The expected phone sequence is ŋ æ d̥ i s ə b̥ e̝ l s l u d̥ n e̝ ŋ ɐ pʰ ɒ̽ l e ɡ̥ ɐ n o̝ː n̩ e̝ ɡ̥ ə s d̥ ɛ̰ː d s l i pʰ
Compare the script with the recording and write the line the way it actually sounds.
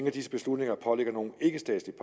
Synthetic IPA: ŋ æ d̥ i s ə b̥ e̝ s l u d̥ n e̝ ŋ ɐ pʰ ɒ̽ l e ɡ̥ ɐ n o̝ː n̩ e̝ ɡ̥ ə s d̥ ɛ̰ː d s l i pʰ